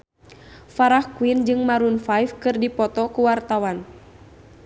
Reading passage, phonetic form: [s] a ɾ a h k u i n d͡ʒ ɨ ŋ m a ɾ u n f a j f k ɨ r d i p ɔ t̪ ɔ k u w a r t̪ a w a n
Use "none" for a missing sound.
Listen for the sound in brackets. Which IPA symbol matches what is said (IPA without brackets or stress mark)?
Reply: f